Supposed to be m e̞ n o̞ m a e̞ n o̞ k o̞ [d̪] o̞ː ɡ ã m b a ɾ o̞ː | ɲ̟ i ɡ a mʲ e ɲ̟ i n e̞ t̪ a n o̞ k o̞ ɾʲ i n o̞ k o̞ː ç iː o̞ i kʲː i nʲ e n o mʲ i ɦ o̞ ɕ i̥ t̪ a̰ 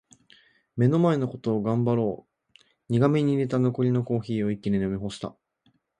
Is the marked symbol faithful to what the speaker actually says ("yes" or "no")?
no